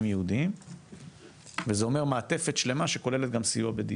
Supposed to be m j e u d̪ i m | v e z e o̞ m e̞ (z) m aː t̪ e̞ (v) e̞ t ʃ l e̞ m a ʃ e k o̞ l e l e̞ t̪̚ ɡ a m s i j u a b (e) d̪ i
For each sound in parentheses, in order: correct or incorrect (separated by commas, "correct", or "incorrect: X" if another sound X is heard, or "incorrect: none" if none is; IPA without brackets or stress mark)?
incorrect: ʁ, incorrect: f, correct